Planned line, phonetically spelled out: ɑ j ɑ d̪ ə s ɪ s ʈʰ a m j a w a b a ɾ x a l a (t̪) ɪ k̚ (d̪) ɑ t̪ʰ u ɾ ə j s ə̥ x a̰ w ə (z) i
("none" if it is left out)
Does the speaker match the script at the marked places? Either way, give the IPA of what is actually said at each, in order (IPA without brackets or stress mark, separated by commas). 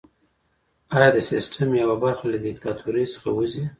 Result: d̪, t̪, z